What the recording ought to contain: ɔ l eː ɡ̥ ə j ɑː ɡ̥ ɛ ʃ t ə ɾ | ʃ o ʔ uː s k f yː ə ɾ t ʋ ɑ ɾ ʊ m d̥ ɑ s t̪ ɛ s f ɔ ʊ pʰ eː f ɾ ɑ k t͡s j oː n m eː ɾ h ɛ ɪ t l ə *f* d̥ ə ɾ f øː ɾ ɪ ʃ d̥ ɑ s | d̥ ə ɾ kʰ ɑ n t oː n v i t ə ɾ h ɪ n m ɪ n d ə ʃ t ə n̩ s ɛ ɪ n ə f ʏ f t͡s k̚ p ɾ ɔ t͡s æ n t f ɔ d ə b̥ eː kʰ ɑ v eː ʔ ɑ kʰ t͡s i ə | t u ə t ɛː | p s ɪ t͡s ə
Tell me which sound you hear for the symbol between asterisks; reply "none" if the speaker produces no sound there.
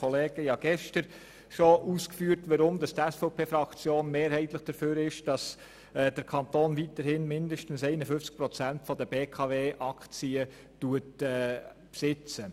χ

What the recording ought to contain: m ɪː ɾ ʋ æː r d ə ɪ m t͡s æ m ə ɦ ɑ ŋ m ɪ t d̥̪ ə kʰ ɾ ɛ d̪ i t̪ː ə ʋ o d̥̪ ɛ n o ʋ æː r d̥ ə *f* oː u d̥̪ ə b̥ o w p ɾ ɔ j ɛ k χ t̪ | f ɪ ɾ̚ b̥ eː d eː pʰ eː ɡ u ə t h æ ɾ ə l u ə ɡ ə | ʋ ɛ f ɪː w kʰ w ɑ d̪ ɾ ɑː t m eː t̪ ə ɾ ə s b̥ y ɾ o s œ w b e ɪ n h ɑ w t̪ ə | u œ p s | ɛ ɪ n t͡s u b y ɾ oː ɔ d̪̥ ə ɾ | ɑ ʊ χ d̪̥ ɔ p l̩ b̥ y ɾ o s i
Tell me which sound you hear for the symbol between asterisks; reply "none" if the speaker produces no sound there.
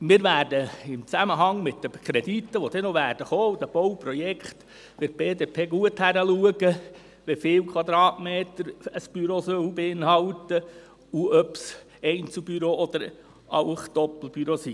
χ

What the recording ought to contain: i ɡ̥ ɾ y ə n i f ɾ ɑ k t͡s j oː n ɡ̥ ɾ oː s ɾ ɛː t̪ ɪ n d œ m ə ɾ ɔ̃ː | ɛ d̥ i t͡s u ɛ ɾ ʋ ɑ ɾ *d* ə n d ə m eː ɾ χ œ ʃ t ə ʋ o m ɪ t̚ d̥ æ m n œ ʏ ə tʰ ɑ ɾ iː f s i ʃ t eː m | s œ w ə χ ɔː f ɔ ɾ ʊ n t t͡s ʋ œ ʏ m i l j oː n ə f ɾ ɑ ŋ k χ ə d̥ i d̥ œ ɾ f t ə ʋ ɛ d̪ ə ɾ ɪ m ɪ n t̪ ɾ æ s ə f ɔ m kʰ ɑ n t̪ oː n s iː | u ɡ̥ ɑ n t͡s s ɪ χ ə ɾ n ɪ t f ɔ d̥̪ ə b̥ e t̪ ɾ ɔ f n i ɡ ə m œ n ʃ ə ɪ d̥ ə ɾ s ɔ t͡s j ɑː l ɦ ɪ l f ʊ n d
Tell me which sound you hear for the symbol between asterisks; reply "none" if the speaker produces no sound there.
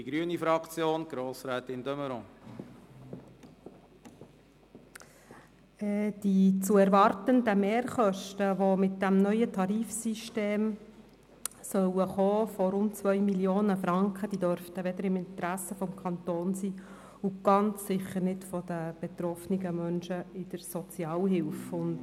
t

